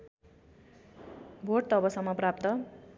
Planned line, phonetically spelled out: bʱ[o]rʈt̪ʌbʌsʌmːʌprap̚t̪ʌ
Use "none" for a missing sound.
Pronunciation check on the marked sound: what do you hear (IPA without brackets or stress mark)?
o